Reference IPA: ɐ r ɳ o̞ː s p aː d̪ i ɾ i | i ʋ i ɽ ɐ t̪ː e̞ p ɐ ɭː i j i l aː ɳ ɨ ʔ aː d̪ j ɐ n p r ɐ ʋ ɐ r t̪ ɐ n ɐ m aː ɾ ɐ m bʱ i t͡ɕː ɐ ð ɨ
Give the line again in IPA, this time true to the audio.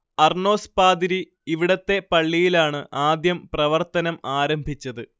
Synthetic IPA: ɐ r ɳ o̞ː s p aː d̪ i ɾ i | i ʋ i ɽ ɐ t̪ː e̞ p ɐ ɭː i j i l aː ɳ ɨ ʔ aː d̪ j ɐ m p r ɐ ʋ ɐ r t̪ ɐ n ɐ m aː ɾ ɐ m bʱ i t͡ɕː ɐ ð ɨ